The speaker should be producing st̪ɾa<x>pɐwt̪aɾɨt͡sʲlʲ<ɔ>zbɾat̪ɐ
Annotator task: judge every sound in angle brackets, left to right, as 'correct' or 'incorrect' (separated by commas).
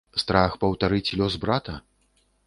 correct, correct